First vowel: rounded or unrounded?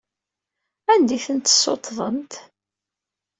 unrounded